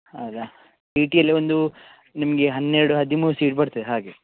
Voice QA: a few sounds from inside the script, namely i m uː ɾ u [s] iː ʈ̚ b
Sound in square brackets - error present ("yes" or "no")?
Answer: no